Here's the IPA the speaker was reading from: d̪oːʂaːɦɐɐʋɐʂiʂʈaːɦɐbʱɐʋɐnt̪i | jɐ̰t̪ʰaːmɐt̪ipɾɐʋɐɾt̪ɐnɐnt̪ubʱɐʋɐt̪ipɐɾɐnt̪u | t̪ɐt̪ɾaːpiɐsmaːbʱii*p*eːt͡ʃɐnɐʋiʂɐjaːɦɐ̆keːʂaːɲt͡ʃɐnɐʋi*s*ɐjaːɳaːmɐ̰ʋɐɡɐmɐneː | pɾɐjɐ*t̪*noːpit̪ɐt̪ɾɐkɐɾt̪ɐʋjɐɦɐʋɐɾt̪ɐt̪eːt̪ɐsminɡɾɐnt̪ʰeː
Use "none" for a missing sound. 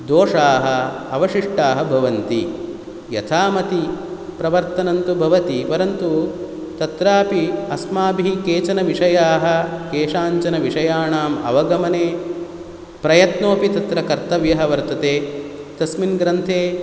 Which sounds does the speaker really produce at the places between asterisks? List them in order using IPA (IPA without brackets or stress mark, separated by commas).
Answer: k, ʂ, t̪